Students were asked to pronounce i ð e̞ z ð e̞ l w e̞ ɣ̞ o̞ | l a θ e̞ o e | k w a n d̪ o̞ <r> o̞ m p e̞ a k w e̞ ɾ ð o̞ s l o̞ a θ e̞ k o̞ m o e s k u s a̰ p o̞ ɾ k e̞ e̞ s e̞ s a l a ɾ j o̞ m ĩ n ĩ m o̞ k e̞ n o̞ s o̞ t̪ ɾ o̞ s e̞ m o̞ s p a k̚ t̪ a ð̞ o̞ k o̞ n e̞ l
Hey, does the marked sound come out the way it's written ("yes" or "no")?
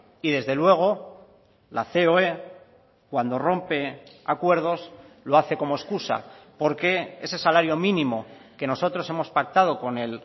yes